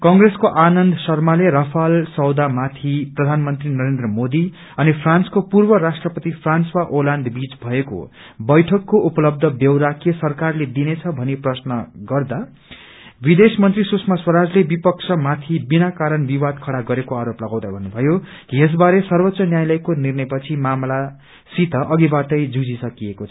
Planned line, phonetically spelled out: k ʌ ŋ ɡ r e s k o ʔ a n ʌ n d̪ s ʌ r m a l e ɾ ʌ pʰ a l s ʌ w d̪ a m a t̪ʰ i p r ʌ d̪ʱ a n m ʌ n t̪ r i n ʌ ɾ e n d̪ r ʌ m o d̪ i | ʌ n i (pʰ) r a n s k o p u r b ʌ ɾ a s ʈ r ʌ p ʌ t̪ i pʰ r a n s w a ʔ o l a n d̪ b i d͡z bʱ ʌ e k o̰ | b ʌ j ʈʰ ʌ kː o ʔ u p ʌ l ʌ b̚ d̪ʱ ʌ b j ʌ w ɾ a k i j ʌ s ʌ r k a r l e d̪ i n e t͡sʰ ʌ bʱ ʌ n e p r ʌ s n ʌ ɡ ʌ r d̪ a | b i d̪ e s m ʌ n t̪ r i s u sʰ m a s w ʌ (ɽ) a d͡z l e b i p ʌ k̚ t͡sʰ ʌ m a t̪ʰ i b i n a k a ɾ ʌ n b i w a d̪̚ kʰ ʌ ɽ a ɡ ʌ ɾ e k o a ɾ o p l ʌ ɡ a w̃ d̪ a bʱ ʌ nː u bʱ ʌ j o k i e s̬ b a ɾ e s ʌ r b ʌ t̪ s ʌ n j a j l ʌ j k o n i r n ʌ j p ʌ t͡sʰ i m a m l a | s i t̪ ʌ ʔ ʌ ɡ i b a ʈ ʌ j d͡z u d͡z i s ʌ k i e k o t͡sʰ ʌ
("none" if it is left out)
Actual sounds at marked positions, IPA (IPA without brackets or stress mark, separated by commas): pʰ, ɾ